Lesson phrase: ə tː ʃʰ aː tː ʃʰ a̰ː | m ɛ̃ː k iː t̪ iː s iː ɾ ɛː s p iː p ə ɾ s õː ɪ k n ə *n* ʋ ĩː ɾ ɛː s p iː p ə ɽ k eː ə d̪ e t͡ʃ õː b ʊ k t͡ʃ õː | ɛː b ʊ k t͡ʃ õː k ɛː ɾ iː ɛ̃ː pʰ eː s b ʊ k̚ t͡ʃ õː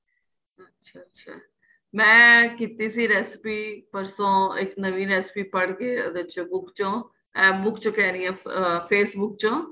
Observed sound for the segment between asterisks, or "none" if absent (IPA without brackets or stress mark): none